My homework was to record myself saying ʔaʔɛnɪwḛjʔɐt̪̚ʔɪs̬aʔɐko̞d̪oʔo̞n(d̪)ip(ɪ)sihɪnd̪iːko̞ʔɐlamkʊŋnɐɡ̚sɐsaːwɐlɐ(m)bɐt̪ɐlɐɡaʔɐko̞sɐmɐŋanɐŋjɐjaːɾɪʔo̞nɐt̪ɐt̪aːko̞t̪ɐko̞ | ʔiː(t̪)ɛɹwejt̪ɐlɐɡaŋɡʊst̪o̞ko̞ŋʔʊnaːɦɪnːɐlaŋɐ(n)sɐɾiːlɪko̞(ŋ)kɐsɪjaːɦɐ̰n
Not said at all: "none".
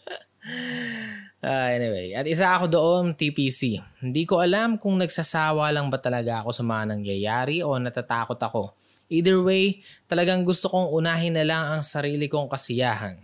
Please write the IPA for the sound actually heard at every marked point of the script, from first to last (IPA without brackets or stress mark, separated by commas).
t̪, i, ŋ, d̪, ŋ, ŋ